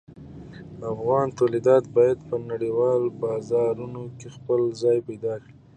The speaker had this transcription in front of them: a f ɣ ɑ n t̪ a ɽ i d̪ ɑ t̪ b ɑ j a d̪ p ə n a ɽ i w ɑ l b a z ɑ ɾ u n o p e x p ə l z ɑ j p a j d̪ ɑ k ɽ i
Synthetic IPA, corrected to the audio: a f ɣ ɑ n t̪ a l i d̪ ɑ t̪ b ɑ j a d̪ p ə n a ɽ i w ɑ l b ɑ z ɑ ɾ u n o k e x p ə l z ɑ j p a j d̪ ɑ k ɽ i